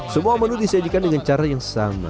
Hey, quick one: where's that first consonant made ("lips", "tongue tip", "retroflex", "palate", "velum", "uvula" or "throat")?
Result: tongue tip